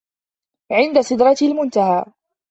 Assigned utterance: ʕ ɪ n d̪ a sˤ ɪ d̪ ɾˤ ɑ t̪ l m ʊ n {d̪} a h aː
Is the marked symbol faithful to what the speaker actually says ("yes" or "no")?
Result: no